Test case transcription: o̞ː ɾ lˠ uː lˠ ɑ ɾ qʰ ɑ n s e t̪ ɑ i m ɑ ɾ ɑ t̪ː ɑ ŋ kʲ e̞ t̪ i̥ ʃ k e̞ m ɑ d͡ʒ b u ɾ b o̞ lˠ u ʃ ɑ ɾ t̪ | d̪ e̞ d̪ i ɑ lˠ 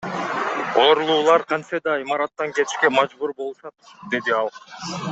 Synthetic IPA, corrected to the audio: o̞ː ɾ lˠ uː lˠ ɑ ɾ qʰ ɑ n s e d̪ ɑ i m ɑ ɾ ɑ t̪ː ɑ ŋ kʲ e̞ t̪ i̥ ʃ k e̞ m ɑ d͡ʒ b u ɾ b o̞ lˠ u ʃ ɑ t̪ | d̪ e̞ d̪ i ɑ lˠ